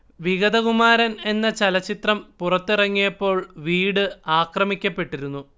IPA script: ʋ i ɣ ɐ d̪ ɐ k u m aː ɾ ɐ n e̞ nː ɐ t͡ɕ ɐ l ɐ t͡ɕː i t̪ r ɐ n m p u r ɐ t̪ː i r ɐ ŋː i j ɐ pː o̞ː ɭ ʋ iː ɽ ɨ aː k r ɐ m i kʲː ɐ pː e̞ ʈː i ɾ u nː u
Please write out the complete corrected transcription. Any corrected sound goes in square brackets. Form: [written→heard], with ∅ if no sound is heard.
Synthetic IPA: ʋ i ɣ ɐ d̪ ɐ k u m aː ɾ ɐ n e̞ nː ɐ t͡ɕ ɐ l ɐ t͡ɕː i t̪ r ɐ [n→∅] m p u r ɐ t̪ː i r ɐ ŋː i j ɐ pː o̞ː ɭ ʋ iː ɽ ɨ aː k r ɐ m i kʲː ɐ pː e̞ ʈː i ɾ u nː u